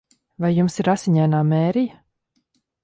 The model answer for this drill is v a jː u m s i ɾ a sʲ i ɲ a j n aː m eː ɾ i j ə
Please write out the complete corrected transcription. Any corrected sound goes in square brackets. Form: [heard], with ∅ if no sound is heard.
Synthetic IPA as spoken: v a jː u m s i ɾ a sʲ i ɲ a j n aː m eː ɾ i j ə